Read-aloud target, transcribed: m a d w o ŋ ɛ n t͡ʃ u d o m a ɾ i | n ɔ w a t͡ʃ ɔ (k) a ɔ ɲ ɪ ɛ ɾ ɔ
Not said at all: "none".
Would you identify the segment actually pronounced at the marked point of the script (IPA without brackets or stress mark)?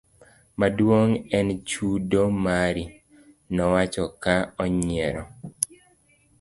k